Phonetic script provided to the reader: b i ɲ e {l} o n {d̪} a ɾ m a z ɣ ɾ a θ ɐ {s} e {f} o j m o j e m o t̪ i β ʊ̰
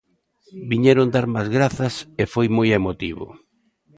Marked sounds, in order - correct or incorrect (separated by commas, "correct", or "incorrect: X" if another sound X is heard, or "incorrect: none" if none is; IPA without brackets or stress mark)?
incorrect: ɾ, correct, correct, correct